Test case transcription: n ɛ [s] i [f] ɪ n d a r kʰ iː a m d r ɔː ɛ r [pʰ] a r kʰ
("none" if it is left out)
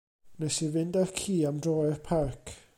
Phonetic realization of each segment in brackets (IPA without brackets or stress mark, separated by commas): s, v, pʰ